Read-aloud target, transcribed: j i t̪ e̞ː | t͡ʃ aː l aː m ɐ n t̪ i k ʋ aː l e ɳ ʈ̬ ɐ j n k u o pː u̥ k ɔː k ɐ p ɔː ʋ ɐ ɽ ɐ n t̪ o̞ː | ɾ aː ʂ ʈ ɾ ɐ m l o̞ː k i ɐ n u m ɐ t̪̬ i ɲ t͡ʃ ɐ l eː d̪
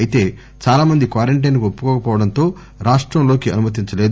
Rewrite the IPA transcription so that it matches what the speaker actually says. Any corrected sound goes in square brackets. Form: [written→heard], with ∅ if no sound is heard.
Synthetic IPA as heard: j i t̪ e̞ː | t͡ʃ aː l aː m ɐ n [t̪→d̪] i k ʋ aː [l→ɾ] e ɳ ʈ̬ ɐ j n k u o pː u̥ k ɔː k ɐ p ɔː ʋ ɐ ɽ ɐ n t̪ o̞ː | ɾ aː ʂ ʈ ɾ ɐ m l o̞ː k i ɐ n u m ɐ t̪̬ i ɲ t͡ʃ ɐ l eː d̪